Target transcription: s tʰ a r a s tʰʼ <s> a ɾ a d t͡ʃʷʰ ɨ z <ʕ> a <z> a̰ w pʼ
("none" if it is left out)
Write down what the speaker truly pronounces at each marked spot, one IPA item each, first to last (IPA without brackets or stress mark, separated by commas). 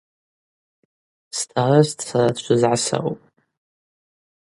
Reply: s, ʕ, s